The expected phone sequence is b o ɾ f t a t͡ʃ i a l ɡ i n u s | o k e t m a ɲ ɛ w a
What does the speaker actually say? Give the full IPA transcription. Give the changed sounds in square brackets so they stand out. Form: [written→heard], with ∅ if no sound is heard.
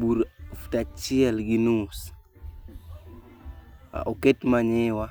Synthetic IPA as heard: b [o→u] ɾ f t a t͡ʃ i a l ɡ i n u s | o k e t m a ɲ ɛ w a